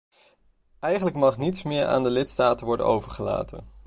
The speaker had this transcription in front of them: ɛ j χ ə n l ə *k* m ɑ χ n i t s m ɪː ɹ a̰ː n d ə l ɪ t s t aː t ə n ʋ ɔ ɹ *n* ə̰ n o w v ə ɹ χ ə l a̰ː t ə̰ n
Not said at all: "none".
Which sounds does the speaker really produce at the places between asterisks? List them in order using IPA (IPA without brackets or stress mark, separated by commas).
k, d